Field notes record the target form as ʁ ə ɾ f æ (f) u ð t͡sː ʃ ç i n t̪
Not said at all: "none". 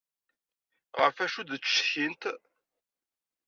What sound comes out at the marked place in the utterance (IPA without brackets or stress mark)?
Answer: ʃ